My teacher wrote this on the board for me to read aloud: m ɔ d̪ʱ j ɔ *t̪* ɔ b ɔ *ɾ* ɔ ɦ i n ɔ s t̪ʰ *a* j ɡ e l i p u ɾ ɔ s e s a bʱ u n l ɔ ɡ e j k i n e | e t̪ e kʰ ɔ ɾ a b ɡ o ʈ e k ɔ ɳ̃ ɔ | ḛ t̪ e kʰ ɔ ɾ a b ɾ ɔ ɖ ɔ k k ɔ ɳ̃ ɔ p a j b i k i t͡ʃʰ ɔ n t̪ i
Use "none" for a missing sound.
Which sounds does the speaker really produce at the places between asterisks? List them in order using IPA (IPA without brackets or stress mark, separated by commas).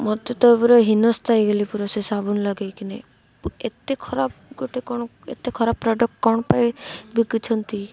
t̪, ɾ, a